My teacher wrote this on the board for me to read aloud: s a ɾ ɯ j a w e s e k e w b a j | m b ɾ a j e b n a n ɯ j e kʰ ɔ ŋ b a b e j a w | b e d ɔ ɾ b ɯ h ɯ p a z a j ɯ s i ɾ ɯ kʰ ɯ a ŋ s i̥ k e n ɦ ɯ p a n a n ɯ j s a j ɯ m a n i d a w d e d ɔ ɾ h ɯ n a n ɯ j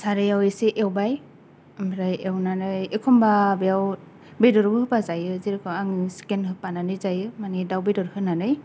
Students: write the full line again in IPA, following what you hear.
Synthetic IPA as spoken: s a ɾ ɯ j a w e s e ʔ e w b a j | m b ɾ a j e w n a n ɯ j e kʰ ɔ m b a b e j a w | b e d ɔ ɾ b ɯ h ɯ p a z a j ɯ z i ɾ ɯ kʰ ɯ a ŋ s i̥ k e n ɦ ɯ p a n a n ɯ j z a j ɯ m a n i d a w b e d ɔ ɾ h ɯ n a n ɯ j